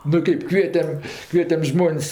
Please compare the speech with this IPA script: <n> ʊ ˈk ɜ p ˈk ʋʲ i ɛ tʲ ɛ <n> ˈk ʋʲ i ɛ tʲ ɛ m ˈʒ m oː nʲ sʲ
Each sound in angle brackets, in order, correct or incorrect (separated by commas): correct, incorrect